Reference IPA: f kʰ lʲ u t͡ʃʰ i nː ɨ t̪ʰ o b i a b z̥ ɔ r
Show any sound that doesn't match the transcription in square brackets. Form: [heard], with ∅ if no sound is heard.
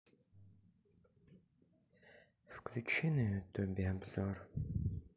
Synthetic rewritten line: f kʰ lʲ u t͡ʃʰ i [n] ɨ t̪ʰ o b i a b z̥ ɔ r